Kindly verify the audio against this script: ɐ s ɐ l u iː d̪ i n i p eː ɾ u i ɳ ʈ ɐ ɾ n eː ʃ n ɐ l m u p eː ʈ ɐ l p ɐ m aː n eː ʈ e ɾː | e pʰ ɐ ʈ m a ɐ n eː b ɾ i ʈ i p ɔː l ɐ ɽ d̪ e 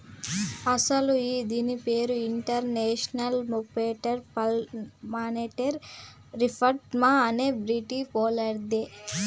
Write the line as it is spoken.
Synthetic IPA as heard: ɐ s ɐ l u iː d̪ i n i p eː ɾ u i ɳ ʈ ɐ ɾ n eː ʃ n ɐ l m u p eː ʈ ɐ ɾ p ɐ m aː n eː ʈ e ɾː | i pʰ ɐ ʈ m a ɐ n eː b ɾ i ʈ i p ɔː l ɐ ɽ d̪ e